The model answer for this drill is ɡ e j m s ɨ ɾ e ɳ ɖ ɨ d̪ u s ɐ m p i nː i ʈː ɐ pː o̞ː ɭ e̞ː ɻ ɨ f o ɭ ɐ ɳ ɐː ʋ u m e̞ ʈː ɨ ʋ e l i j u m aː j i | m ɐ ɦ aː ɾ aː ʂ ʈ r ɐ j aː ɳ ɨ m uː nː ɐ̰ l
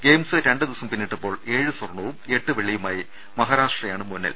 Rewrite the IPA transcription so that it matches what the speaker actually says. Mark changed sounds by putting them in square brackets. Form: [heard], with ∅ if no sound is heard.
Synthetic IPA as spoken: ɡ e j m s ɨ ɾ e ɳ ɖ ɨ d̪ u s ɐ m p i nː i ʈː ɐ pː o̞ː ɭ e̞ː ɻ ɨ [s] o [r] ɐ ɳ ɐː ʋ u m e̞ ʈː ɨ ʋ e [ɭ] i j u m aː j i | m ɐ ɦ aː ɾ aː ʂ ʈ r ɐ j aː ɳ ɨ m [u] nː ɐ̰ l